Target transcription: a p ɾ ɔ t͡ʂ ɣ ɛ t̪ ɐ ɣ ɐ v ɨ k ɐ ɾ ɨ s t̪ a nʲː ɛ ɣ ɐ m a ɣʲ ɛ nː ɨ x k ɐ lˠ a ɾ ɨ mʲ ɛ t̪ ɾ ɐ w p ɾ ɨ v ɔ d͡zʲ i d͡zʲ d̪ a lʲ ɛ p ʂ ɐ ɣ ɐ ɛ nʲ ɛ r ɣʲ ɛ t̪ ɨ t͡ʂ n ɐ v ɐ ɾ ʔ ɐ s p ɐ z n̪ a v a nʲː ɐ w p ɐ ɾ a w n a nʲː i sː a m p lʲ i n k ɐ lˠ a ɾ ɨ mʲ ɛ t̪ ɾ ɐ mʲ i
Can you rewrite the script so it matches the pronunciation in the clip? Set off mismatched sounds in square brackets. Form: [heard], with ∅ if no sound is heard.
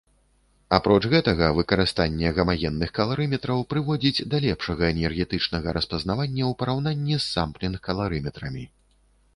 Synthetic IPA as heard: a p ɾ ɔ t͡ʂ ɣ ɛ t̪ ɐ ɣ ɐ v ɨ k ɐ ɾ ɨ s t̪ a nʲː ɛ ɣ ɐ m a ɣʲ ɛ nː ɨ x k ɐ lˠ a ɾ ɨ mʲ ɛ t̪ ɾ ɐ w p ɾ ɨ v ɔ d͡zʲ i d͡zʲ d̪ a lʲ ɛ p ʂ ɐ ɣ ɐ ɛ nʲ ɛ r ɣʲ ɛ t̪ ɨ t͡ʂ n ɐ [ɣ] ɐ ɾ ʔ ɐ s p ɐ z n̪ a v a nʲː ɐ w p ɐ ɾ a w n a nʲː i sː a m p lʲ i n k ɐ lˠ a ɾ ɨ mʲ ɛ t̪ ɾ ɐ mʲ i